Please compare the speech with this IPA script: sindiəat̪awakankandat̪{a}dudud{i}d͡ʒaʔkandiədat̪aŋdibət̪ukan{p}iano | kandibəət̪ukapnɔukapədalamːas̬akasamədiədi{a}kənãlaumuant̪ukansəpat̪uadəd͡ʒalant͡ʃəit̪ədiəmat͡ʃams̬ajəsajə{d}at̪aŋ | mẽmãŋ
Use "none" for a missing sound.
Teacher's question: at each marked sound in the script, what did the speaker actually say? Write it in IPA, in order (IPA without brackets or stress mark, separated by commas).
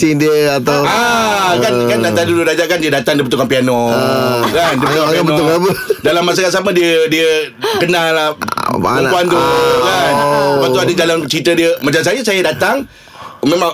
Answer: a, a, p, ə, d